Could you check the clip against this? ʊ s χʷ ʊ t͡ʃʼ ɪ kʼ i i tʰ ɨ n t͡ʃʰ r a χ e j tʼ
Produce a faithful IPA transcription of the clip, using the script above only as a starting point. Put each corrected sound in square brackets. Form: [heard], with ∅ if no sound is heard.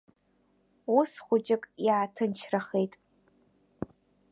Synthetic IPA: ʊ s χʷ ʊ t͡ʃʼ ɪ kʼ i [a] tʰ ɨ n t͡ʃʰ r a χ e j tʼ